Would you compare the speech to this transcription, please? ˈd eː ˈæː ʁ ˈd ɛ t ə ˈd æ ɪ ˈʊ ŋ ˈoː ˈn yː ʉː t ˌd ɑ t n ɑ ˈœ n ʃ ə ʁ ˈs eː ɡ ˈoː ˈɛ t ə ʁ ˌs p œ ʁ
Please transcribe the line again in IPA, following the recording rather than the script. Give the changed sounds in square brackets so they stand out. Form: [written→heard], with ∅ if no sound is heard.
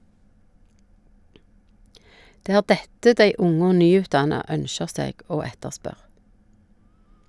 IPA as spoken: ˈd eː ˈæː ʁ ˈd ɛ t ə ˈd æ ɪ ˈʊ ŋ ˈoː ˈn yː ʉː t ˌd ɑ [t→∅] n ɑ ˈœ n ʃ ə ʁ ˈs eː ɡ ˈoː ˈɛ t ə ʁ ˌs p œ ʁ